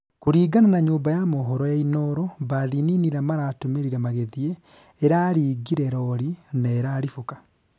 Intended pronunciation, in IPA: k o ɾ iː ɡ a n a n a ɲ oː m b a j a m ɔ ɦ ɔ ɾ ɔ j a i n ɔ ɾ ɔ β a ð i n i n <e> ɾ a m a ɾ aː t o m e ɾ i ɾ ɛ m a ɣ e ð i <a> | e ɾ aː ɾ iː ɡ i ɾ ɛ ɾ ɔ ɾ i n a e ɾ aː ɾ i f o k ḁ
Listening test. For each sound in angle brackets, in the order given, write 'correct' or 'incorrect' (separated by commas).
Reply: incorrect, incorrect